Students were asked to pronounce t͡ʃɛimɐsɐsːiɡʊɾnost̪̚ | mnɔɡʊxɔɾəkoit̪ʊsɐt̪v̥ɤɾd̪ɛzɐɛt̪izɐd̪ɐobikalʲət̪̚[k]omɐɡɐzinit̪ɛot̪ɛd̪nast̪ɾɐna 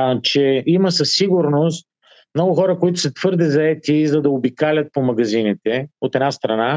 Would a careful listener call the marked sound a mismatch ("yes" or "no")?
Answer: yes